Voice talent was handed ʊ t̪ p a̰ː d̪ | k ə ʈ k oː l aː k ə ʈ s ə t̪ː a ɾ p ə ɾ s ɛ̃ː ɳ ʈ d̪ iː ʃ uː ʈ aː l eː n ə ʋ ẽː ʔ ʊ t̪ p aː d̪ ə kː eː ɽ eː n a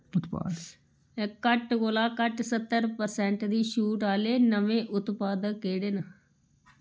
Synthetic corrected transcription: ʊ t̪ p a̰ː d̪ | k ə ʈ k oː l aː k ə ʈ s ə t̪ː ə ɾ p ə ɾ s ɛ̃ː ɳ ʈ d̪ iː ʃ uː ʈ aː l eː n ə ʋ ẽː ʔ ʊ t̪ p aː d̪ ə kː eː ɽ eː n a